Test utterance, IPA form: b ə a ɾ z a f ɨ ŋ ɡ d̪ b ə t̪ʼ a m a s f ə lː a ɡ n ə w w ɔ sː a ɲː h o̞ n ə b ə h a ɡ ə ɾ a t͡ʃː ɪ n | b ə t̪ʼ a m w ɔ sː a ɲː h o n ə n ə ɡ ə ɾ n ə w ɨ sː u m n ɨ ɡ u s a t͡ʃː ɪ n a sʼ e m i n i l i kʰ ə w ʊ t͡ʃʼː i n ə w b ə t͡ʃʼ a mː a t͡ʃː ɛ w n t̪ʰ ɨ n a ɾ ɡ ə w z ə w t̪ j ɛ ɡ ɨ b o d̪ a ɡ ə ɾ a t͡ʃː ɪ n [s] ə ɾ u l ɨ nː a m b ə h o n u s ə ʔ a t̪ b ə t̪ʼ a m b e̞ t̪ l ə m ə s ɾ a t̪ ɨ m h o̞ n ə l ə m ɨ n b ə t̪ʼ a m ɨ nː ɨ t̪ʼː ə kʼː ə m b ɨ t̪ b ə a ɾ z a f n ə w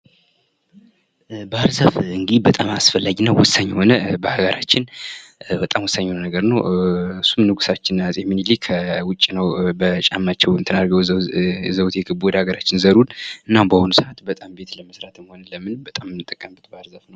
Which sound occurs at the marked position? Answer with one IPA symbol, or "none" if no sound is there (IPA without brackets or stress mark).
z